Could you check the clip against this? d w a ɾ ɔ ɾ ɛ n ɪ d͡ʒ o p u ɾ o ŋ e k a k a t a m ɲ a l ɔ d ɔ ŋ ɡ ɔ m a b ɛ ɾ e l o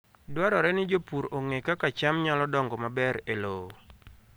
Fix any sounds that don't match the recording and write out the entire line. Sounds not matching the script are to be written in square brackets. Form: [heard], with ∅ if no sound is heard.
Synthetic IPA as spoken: d w a ɾ ɔ ɾ ɛ n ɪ d͡ʒ o p u ɾ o ŋ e k a k a [t͡ʃ] a m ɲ a l ɔ d ɔ ŋ ɡ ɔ m a b ɛ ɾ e l o